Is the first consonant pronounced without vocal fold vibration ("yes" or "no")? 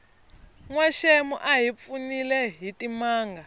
no